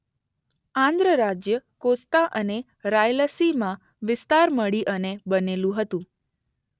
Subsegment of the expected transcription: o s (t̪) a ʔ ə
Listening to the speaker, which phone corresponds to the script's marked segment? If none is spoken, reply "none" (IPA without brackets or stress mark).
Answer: t̪